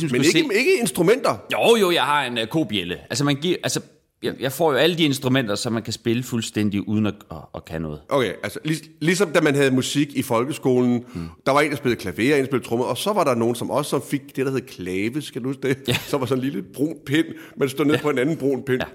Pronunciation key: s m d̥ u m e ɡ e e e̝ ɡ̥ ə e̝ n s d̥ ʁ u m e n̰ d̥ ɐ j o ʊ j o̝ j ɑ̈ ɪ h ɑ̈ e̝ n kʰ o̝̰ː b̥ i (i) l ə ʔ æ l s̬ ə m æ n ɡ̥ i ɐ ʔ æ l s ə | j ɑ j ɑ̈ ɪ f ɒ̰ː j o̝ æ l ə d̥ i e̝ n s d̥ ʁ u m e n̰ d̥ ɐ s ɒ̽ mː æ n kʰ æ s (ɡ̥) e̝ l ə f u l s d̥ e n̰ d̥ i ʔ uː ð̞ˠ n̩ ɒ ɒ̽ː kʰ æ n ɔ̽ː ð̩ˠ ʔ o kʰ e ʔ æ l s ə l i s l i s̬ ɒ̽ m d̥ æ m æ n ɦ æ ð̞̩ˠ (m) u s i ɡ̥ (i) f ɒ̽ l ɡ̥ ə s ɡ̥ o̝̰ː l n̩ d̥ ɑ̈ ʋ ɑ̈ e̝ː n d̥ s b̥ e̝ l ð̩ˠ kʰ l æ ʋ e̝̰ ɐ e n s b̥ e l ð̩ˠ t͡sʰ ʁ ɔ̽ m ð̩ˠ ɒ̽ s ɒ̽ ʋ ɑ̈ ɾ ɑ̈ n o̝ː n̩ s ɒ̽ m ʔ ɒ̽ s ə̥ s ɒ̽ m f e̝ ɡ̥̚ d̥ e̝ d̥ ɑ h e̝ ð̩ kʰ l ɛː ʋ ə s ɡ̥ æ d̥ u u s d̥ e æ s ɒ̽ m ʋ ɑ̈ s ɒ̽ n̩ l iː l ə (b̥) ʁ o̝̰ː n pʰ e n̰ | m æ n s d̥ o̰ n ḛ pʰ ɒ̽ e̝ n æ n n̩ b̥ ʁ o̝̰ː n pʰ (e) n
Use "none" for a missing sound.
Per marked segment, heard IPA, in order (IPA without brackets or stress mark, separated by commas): e, b̥, m, i, b̥, e